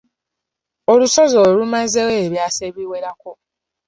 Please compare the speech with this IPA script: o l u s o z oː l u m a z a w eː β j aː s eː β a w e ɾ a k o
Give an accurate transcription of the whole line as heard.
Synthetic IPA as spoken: o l u s o z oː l u m a z e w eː β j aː s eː β i w e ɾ a k o